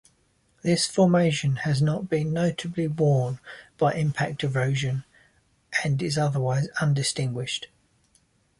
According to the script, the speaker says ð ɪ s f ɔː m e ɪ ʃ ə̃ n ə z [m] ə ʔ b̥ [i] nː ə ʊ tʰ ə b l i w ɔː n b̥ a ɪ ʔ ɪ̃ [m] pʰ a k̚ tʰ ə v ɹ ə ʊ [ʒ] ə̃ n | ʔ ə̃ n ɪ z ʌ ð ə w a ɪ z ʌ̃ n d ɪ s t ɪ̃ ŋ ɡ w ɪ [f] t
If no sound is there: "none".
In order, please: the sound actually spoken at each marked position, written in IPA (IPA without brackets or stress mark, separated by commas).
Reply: n, ĩ, m, ʒ, ʃ